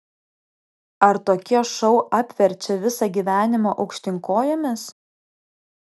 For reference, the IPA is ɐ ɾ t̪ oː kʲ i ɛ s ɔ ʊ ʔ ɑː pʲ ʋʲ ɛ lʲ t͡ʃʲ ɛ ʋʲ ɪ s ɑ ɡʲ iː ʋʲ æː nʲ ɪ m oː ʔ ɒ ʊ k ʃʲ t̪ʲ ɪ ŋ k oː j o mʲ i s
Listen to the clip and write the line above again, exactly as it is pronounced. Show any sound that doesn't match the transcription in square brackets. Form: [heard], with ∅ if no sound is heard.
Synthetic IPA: ɐ ɾ t̪ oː kʲ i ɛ [ʃ] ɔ ʊ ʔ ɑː pʲ ʋʲ ɛ [ɾʲ] t͡ʃʲ ɛ ʋʲ ɪ s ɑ ɡʲ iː ʋʲ æː nʲ ɪ m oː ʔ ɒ ʊ k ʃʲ t̪ʲ ɪ ŋ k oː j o mʲ [ɪ] s